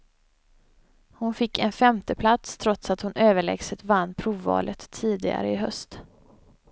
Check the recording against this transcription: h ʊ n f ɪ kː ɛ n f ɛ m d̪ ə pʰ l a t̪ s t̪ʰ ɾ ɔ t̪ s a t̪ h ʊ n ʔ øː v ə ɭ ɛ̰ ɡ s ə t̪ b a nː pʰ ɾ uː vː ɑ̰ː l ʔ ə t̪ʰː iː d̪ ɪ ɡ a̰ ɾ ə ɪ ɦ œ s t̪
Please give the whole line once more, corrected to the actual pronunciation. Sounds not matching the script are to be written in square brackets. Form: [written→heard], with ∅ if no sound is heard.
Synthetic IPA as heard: h ʊ n f ɪ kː ɛ n f ɛ m [d̪→t̪] ə pʰ l a t̪ s t̪ʰ ɾ ɔ t̪ s a t̪ h ʊ n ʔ øː v ə ɭ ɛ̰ ɡ s ə t̪ [b→v] a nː pʰ ɾ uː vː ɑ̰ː l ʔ ə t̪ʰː iː d̪ ɪ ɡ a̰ ɾ ə ɪ ɦ œ s t̪